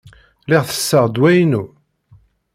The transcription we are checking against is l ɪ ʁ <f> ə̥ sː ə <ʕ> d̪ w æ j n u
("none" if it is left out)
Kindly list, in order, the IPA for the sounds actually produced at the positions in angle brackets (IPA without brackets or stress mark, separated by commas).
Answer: θ, ʁ